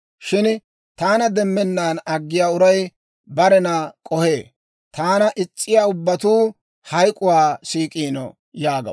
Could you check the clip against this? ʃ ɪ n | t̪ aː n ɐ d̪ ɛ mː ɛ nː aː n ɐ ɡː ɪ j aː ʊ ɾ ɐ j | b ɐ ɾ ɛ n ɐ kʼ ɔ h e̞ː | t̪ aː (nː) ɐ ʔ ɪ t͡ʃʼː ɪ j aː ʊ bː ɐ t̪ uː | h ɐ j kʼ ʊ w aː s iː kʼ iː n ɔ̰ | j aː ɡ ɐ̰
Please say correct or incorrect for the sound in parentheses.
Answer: incorrect: n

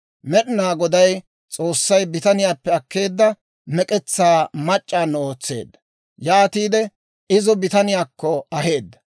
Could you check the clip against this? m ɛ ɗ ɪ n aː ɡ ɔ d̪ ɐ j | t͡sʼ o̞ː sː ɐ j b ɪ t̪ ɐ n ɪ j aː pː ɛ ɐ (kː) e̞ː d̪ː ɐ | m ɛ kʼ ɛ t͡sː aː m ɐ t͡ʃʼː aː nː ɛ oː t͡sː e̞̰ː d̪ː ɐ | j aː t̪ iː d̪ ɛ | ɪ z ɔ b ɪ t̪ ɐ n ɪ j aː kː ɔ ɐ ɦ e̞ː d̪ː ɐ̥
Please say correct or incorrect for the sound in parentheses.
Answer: correct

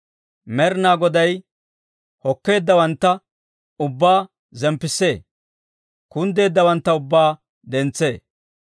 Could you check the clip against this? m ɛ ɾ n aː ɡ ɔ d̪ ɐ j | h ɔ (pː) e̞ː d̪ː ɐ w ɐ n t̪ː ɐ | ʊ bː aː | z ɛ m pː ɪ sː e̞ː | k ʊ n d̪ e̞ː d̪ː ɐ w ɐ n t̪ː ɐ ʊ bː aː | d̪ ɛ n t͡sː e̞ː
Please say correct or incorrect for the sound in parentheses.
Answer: incorrect: kː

